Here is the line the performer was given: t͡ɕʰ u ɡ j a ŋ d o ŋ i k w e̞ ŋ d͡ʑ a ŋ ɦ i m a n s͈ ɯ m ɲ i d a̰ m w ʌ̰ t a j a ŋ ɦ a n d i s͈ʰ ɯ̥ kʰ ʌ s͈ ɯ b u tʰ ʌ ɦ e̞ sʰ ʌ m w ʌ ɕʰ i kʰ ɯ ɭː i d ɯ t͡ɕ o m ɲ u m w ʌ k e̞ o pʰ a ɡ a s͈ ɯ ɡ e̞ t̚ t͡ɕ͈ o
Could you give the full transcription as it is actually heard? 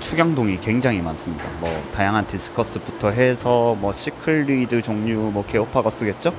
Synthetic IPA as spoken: t͡ɕʰ u ɡ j a ŋ d o ŋ i k w e̞ ŋ d͡ʑ a ŋ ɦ i m a n s͈ ɯ m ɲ i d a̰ m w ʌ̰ t a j a ŋ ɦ a n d i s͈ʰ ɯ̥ kʰ ʌ s͈ ɯ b u tʰ ʌ ɦ e̞ sʰ ʌ m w ʌ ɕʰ i kʰ ɯ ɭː i d ɯ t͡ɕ o ŋ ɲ u m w ʌ k e̞ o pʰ a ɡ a s͈ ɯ ɡ e̞ t̚ t͡ɕ͈ o